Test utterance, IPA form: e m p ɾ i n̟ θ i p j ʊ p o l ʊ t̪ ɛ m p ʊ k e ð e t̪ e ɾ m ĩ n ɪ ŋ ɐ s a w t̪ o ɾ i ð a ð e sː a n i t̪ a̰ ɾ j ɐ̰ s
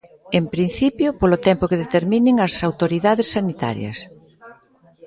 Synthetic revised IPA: e m p ɾ i n̟ θ i p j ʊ p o l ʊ t̪ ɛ m p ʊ k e ð e t̪ e ɾ m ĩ n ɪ ŋ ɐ s a w t̪ o ɾ i ð a ð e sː a n i t̪ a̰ ɾ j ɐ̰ s

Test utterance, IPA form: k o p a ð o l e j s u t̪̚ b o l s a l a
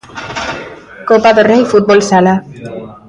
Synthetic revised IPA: k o p a ð o r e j f u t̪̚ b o l s a l a

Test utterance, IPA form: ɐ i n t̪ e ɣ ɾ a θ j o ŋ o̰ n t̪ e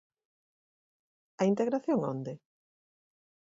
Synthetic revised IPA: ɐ i n t̪ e ɣ ɾ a θ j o ŋ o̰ n d̪ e

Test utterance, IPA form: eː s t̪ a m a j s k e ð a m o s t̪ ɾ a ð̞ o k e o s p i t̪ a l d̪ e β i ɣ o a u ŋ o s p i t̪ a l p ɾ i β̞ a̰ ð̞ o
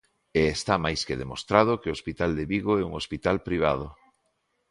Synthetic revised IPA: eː s t̪ a m a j s k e ð e m o s t̪ ɾ a ð̞ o k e o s p i t̪ a l d̪ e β i ɣ o ɛ u ŋ o s p i t̪ a l p ɾ i β̞ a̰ ð̞ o

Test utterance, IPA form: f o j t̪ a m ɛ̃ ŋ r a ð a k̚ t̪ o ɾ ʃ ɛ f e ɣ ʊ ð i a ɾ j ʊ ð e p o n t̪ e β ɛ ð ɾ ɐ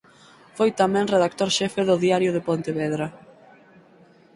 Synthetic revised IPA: f o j t̪ a m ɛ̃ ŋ r e ð a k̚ t̪ o ɾ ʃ ɛ f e ð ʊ ð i a ɾ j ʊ ð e p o n t̪ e β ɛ ð ɾ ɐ

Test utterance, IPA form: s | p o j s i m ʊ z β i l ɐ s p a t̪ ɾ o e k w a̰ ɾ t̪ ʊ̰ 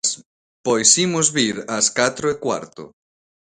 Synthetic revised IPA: s | p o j s i m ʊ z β i ɾ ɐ s k a t̪ ɾ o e k w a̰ ɾ t̪ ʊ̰

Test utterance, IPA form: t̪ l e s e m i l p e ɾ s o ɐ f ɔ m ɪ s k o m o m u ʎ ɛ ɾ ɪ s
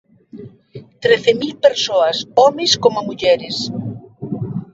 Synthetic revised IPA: t̪ ɾ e θ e m i l p e ɾ s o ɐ s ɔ m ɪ s k o m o m u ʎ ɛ ɾ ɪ s

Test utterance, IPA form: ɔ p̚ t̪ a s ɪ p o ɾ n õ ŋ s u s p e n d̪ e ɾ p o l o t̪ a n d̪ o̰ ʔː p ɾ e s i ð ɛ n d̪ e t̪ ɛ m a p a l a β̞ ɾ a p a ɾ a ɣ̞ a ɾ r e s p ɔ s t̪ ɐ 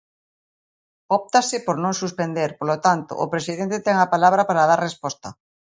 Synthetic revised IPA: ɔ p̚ t̪ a s ɪ p o ɾ n õ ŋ s u s p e n d̪ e ɾ p o l o t̪ a n t̪ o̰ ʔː p ɾ e s i ð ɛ n t̪ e t̪ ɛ ŋ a p a l a β̞ ɾ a p a ɾ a ð̞ a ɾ r e s p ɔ s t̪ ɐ

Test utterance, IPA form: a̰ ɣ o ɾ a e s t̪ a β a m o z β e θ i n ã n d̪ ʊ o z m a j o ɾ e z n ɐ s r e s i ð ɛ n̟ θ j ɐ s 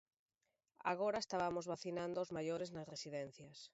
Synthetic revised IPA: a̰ ɣ o ɾ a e s t̪ a β a m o z β a θ i n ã n d̪ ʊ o z m a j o ɾ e z n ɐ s r e s i ð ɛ n̟ θ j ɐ s

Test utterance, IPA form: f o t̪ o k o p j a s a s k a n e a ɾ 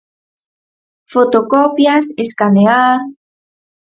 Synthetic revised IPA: f o t̪ o k o p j a s e s k a n e a ɾ

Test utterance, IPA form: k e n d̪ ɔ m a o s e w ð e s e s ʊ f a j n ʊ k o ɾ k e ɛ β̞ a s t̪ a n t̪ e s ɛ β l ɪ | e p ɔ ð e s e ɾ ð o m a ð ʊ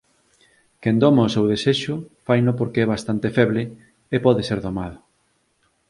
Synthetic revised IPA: k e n d̪ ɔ m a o s e w ð e s e ʃ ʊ f a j n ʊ p o ɾ k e ɛ β̞ a s t̪ a n t̪ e f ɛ β l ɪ | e p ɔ ð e s e ɾ ð o m a ð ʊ

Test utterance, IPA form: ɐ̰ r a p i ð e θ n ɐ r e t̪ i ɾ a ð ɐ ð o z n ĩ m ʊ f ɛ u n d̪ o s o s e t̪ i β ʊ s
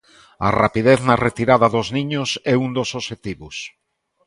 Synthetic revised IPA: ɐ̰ r a p i ð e θ n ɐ r e t̪ i ɾ a ð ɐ ð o z n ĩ ɲ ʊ s ɛ u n d̪ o s o ʃ e t̪ i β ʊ s

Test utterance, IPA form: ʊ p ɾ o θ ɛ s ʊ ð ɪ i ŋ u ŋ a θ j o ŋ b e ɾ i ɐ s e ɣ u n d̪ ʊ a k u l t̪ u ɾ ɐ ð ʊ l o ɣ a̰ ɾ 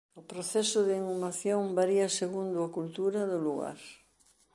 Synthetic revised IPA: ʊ p ɾ o θ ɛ s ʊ ð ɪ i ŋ u m a θ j o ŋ b a ɾ i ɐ s e ɣ u n d̪ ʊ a k u l t̪ u ɾ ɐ ð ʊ l u ɣ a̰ ɾ

